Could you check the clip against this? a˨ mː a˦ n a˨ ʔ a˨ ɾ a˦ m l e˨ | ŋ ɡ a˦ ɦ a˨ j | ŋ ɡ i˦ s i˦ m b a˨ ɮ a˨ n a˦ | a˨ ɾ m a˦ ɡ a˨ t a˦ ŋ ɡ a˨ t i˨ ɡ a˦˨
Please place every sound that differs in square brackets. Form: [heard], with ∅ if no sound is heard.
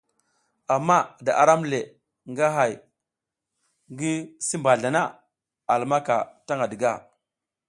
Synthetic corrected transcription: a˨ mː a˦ [d] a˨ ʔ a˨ ɾ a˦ m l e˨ | ŋ ɡ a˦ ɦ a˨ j | ŋ ɡ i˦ s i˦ m b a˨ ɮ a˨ n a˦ | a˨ [l] m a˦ [k] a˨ t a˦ ŋ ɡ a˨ [d] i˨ ɡ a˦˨